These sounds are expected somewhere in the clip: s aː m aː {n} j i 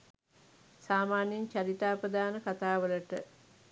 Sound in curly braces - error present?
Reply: no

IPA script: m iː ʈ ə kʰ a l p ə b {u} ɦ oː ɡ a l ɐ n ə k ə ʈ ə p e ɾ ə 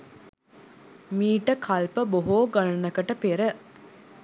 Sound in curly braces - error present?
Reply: yes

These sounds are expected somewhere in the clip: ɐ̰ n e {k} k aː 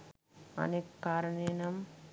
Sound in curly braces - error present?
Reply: no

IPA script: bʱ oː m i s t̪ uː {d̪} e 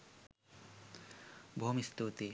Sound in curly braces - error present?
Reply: yes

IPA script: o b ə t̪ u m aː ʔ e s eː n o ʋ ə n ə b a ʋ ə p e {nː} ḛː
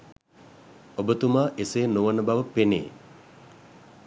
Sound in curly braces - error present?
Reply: yes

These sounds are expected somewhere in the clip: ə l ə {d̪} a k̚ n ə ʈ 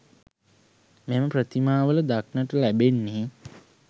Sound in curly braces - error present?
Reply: no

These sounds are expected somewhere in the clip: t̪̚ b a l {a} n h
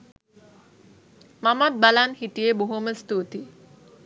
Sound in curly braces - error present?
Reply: no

